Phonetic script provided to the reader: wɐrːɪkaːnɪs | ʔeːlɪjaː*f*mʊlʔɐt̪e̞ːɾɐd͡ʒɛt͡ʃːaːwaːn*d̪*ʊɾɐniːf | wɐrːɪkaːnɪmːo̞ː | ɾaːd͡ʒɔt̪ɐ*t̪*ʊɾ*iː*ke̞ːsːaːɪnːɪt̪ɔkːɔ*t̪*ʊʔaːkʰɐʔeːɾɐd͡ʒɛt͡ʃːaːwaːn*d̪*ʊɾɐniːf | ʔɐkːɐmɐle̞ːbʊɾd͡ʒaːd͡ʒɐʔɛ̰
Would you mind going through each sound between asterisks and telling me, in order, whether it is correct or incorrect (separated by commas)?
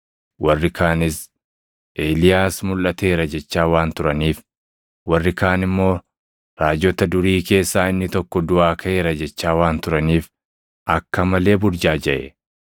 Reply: incorrect, incorrect, incorrect, correct, incorrect, incorrect